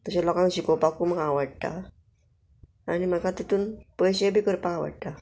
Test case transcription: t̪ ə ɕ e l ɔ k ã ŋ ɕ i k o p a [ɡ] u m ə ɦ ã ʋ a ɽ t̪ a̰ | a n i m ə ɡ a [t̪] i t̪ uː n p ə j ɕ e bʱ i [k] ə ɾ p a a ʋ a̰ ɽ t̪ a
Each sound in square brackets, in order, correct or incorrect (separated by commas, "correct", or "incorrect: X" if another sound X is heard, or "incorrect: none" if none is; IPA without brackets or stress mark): incorrect: k, correct, correct